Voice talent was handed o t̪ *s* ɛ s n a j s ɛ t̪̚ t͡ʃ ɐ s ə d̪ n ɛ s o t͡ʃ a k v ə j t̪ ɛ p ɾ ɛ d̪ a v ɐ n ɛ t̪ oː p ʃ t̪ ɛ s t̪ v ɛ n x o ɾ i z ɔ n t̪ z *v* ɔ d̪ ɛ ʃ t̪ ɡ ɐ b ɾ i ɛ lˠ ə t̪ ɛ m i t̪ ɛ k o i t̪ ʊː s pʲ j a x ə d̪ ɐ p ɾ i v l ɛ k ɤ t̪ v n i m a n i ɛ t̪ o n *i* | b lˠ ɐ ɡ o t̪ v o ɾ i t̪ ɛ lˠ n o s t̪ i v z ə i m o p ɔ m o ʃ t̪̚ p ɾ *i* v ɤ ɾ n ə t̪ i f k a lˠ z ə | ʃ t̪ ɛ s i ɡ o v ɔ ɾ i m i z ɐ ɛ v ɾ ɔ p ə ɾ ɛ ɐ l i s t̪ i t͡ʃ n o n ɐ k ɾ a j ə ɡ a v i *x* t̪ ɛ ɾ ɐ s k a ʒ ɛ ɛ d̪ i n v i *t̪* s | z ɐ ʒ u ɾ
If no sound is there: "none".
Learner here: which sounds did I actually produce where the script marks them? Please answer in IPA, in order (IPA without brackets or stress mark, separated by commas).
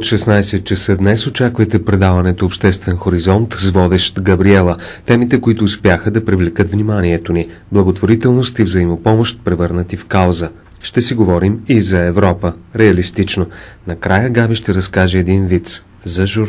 ʃ, v, i, ɛ, ʃ, t̪